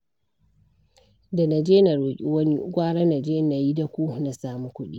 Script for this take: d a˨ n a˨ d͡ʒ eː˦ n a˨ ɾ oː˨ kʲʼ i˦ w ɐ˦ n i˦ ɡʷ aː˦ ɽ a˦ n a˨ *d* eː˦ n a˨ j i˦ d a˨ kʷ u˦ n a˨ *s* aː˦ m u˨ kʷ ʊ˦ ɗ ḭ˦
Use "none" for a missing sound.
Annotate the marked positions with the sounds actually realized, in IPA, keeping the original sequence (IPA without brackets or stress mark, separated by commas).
d͡ʒ, s